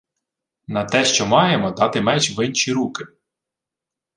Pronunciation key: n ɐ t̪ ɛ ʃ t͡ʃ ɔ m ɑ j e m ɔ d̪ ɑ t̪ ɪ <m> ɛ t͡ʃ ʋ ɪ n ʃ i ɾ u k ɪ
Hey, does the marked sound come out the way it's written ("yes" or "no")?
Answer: yes